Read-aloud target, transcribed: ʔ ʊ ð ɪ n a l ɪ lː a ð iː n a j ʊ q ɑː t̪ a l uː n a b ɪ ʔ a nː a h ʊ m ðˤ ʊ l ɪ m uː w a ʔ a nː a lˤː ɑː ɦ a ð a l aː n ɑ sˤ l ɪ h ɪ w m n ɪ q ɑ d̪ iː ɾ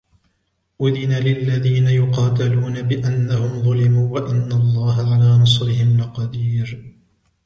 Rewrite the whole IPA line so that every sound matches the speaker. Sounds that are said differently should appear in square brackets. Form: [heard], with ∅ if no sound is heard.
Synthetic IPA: ʔ ʊ ð ɪ n a l ɪ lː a ð iː n a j ʊ q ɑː t̪ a l uː n a b ɪ ʔ a nː a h ʊ m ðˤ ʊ l ɪ m uː w a ʔ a nː a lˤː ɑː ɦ a [ʕ] a l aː n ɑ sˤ [ɾ] ɪ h ɪ [∅] m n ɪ q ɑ d̪ iː ɾ